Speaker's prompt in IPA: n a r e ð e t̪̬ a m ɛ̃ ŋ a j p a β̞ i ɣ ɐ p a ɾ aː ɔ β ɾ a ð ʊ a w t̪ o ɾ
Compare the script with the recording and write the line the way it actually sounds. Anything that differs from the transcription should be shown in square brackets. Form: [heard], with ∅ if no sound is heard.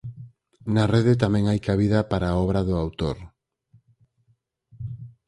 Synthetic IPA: n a r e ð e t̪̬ a m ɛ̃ ŋ a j [k] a β̞ i [ð] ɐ p a ɾ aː ɔ β ɾ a ð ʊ a w t̪ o ɾ